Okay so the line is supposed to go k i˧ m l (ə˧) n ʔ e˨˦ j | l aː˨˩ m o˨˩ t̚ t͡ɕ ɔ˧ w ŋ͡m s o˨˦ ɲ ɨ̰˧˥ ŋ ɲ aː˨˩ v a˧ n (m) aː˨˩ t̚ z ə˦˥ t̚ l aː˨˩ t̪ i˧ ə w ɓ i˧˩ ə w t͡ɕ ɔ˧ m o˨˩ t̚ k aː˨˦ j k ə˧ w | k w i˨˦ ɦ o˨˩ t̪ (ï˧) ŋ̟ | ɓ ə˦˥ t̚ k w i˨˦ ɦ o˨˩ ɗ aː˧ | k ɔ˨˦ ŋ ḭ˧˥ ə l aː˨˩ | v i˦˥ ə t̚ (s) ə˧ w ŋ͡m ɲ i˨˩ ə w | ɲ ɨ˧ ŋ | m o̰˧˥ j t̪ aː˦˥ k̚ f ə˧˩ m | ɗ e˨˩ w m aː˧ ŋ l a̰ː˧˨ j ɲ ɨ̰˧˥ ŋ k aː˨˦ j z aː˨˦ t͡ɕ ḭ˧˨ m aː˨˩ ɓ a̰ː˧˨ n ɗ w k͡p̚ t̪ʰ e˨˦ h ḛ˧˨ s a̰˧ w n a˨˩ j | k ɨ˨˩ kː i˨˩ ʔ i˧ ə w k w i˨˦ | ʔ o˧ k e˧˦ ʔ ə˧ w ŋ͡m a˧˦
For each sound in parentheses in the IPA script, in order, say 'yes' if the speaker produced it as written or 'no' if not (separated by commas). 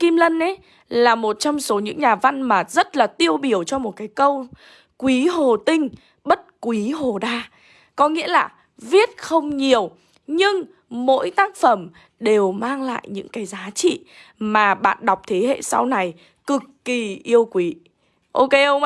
yes, yes, yes, no